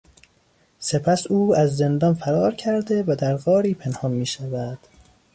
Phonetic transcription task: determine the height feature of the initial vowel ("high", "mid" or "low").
mid